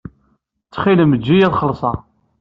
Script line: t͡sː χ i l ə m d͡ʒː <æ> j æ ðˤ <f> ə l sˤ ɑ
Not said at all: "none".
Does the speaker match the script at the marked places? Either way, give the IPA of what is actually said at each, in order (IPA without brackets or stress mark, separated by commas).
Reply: i, χ